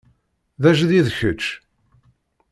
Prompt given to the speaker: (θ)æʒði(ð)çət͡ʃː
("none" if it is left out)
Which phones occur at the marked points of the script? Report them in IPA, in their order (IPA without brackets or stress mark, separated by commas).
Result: ð, ð